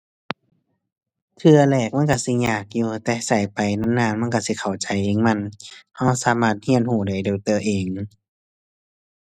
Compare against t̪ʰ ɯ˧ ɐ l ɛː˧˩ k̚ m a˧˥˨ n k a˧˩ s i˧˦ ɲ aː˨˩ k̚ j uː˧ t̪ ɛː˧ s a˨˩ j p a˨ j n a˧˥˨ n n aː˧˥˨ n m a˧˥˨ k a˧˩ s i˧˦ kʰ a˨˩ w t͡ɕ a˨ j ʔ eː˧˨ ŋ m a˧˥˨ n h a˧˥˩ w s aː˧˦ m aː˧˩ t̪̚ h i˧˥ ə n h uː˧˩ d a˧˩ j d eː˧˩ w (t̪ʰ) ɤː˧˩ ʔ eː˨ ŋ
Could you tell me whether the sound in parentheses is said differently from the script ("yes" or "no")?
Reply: yes